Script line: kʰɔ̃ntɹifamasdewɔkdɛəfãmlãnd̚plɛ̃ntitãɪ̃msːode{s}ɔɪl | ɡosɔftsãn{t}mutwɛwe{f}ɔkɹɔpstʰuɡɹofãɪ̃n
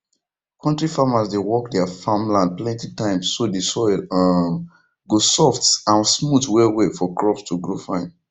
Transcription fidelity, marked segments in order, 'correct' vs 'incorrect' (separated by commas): correct, incorrect, correct